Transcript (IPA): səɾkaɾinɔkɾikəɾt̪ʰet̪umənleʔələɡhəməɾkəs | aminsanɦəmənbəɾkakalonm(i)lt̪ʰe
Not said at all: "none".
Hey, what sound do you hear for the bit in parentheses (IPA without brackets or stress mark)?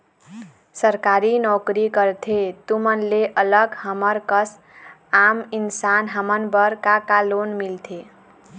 i